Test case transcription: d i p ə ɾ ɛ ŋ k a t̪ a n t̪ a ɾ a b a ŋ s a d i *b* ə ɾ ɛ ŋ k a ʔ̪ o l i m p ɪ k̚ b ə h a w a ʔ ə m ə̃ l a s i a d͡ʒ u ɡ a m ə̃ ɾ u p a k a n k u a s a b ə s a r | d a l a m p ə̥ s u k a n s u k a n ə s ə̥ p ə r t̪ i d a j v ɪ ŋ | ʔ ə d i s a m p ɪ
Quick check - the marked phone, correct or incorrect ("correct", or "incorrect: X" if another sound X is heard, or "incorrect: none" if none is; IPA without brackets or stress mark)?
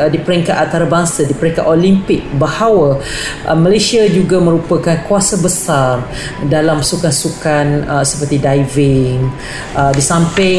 incorrect: p